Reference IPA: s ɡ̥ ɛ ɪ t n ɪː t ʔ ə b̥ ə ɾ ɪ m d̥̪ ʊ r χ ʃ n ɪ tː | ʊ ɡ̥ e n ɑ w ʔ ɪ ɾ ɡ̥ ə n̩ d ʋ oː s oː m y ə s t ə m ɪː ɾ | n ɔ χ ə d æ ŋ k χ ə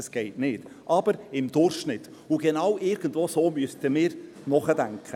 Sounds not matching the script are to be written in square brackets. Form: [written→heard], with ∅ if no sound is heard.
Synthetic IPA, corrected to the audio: s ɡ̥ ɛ ɪ t n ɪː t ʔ [ə→ɑ] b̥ ə ɾ ɪ m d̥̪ ʊ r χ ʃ n ɪ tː | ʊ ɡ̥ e n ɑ w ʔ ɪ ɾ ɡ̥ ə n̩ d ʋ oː s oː m y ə s t ə m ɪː ɾ | n ɔ χ ə d æ ŋ k χ ə